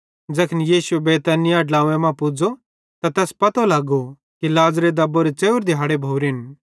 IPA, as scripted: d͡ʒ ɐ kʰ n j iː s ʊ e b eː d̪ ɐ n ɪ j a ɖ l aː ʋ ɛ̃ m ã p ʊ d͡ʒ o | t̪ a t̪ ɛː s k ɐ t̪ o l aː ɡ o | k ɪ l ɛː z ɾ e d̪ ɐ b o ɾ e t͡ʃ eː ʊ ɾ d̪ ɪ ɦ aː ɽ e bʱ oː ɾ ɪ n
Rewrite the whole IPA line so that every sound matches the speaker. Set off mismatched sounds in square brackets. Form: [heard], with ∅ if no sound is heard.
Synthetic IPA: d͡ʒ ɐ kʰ n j iː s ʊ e b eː [t̪] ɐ n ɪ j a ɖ l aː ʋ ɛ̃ m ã p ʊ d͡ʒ o | t̪ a t̪ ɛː s [p] ɐ t̪ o l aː ɡ o | k [i] l [aː] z ɾ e d̪ ɐ b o ɾ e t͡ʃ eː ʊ ɾ d̪ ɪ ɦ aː ɽ e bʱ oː ɾ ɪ n